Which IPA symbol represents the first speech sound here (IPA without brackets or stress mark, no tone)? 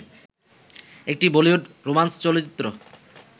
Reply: e